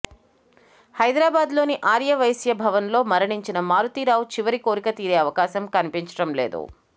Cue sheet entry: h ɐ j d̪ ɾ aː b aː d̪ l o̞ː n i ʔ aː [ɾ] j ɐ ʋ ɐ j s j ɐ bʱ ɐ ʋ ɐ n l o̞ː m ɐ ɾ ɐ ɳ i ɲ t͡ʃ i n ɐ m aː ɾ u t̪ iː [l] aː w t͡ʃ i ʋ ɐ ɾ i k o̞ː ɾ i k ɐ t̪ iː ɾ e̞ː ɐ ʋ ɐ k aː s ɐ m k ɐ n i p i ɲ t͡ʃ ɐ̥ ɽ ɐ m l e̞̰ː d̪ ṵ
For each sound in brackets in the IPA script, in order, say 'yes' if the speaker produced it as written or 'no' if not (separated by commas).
yes, no